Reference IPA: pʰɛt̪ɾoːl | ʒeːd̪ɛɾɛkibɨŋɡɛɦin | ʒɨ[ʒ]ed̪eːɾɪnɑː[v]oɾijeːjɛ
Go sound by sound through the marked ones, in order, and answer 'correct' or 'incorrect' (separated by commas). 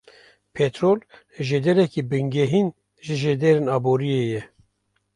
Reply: correct, incorrect